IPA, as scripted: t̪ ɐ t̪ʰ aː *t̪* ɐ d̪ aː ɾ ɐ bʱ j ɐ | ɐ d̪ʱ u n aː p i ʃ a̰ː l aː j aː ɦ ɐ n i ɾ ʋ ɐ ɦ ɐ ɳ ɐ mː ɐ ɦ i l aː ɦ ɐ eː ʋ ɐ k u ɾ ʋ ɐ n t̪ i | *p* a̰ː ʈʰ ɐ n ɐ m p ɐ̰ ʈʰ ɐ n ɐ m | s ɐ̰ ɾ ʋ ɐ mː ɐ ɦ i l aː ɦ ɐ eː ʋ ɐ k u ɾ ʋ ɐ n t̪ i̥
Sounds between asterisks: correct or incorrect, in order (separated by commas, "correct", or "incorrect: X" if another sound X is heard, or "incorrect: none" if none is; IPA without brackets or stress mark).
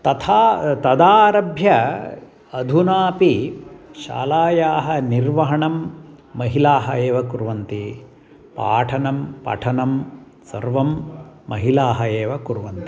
correct, correct